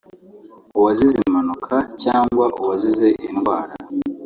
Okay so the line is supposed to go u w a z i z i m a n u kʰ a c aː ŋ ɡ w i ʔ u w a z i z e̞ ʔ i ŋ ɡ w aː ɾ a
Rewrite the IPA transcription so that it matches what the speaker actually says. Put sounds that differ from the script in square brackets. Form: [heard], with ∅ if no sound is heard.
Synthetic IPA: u w a z i z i m a n u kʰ a c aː ŋ ɡ w [a] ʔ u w a z i z e̞ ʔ i [n] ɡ w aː ɾ a